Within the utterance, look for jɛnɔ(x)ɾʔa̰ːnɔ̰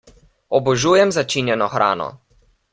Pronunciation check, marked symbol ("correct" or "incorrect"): correct